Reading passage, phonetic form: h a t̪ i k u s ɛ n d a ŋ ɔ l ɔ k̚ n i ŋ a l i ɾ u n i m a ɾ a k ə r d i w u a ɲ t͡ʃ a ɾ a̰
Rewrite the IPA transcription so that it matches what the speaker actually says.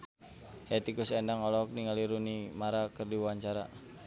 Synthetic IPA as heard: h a t̪ i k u s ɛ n d a ŋ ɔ l ɔ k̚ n i ŋ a l i ɾ u n i m a ɾ a k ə r d i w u a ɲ t͡ʃ a ɾ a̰